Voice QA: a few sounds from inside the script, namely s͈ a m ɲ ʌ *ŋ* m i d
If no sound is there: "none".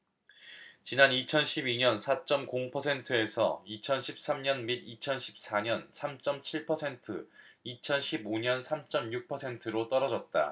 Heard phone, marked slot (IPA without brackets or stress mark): n